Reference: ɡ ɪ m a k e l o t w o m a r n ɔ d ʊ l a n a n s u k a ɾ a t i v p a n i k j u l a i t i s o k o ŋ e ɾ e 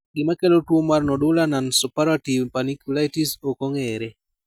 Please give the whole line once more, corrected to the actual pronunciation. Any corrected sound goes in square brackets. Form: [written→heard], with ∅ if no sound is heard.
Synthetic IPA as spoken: ɡ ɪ m a k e l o t w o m a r n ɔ d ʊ l a n a n s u [k→p] a ɾ a t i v p a n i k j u l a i t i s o k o ŋ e ɾ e